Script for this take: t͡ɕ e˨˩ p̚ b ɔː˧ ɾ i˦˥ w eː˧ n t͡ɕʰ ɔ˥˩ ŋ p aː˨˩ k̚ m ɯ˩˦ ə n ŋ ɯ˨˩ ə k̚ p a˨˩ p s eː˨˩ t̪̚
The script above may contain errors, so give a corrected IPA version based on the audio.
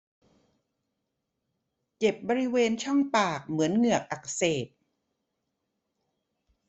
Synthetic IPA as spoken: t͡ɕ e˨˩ p̚ b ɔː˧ ɾ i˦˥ w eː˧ n t͡ɕʰ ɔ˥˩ ŋ p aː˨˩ k̚ m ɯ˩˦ ə n ŋ ɯ˨˩ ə k̚ ʔ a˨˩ k s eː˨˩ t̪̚